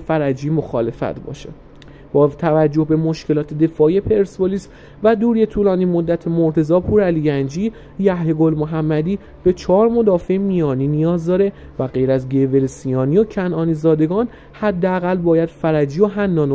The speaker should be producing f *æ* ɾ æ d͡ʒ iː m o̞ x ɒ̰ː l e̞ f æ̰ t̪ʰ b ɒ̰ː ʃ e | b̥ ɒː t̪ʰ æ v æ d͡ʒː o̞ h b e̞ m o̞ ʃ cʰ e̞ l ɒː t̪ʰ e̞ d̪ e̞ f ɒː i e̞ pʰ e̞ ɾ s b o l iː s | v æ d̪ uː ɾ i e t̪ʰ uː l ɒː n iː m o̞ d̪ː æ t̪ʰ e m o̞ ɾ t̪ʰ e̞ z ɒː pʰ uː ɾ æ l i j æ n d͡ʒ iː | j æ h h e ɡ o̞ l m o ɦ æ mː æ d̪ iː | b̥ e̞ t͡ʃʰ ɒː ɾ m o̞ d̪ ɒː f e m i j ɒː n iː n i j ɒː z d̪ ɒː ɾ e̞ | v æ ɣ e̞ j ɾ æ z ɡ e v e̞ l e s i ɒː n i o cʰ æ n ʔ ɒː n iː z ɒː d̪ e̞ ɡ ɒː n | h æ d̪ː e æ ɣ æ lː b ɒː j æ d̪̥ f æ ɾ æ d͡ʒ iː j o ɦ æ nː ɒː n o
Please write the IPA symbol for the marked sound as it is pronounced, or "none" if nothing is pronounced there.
æ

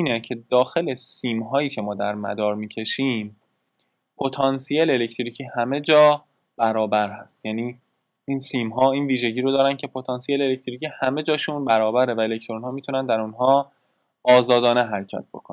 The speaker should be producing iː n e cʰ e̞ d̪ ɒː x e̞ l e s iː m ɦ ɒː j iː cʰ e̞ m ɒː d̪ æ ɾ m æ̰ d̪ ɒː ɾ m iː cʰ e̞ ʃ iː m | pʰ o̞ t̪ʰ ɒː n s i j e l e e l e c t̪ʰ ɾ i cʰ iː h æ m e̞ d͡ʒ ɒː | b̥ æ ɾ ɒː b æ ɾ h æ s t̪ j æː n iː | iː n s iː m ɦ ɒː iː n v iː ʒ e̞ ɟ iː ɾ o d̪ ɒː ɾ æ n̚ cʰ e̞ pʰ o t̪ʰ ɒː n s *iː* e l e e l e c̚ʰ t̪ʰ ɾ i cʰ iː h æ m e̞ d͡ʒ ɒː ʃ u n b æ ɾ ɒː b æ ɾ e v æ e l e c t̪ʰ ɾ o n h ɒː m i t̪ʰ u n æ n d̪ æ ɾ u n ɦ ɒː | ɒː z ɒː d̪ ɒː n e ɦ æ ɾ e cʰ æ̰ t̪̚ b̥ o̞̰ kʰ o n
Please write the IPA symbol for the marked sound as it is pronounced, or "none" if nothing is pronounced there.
i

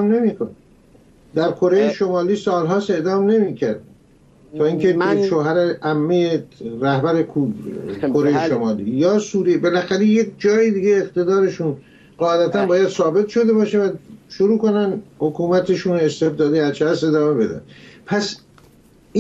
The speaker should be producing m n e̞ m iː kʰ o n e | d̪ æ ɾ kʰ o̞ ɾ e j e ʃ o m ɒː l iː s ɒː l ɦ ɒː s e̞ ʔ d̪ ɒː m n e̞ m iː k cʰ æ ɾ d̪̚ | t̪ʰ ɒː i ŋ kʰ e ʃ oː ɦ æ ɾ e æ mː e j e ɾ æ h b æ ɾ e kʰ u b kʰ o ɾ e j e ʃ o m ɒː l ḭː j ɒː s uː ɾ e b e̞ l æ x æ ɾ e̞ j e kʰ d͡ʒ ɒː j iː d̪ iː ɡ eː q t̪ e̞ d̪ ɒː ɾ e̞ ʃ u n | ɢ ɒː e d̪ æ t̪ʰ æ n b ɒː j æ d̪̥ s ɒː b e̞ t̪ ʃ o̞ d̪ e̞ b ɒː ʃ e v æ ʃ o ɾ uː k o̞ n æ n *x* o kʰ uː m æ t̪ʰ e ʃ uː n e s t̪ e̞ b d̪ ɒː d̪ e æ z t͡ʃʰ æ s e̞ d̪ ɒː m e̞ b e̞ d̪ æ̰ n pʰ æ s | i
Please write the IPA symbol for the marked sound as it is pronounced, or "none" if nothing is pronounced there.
h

